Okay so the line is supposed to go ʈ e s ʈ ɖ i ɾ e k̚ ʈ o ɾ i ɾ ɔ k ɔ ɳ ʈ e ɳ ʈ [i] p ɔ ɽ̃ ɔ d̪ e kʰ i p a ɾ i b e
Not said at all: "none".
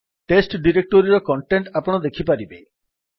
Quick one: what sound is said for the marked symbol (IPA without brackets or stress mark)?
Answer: a